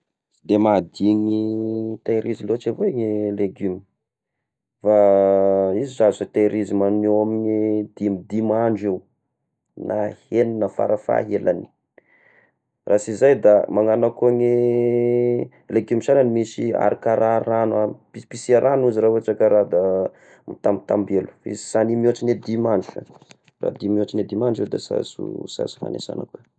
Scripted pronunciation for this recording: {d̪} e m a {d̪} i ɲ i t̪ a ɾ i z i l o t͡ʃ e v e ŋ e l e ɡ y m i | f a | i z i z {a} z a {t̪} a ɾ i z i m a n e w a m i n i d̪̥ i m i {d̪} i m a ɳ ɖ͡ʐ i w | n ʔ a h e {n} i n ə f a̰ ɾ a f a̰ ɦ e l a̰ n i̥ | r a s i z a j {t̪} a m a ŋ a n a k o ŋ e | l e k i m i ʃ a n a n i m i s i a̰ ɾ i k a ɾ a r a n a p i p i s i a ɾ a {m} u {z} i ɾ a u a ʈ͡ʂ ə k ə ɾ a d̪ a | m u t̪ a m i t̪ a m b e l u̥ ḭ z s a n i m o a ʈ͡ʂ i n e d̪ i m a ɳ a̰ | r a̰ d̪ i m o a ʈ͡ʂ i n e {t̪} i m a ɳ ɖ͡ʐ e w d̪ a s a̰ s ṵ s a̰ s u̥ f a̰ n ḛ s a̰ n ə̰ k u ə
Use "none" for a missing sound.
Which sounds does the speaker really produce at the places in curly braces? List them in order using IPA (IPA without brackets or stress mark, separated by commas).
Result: d̪, d̪, a, t̪, d̪, n, d̪, n, z, d̪